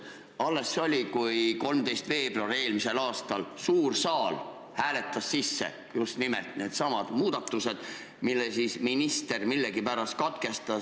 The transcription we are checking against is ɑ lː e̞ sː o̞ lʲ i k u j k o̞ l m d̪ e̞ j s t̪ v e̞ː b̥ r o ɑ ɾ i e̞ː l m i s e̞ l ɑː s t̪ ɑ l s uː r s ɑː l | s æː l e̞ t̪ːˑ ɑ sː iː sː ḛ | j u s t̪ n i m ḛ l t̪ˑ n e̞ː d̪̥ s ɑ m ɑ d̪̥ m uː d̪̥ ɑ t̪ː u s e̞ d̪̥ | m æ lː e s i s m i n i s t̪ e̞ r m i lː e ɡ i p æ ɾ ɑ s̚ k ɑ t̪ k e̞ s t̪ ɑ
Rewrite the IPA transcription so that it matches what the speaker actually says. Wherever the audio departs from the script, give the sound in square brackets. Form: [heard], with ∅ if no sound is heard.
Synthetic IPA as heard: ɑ lː e̞ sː o̞ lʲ i k u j k o̞ l m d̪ e̞ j s t̪ v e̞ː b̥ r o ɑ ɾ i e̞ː l m i s e̞ l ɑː s t̪ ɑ l s uː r s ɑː l | [h] æː l e̞ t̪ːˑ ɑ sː [i] sː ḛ | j u s t̪ n i m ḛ l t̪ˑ n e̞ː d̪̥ s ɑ m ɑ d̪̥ m uː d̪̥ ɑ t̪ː u s e̞ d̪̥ | m [i] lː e s i s m i n i s t̪ e̞ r m i lː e ɡ i p æ ɾ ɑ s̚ k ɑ t̪ k e̞ s t̪ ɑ